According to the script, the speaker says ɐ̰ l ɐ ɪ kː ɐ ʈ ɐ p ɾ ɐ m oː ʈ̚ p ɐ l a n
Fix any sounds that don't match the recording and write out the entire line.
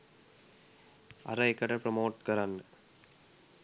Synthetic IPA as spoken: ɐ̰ ɾ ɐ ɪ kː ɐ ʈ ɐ p ɾ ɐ m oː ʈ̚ k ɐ ɾ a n